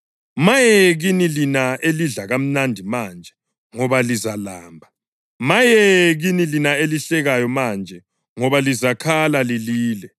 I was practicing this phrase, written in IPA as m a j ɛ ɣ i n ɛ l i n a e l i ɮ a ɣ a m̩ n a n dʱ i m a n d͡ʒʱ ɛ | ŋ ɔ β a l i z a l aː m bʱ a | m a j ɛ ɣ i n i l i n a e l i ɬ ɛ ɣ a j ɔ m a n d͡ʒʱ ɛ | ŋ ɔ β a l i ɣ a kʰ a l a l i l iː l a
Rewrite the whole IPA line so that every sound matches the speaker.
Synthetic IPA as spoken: m a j ɛ ɣ i n i l i n a e l i ɮ a ɣ a m̩ n a n dʱ i m a n d͡ʒʱ ɛ | ŋ ɔ β a l i z a l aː m bʱ a | m a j ɛ ɣ i n i l i n a e l i ɬ ɛ ɣ a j ɔ m a n d͡ʒʱ ɛ | ŋ ɔ β a l i z a kʰ a l a l i l iː l ɛ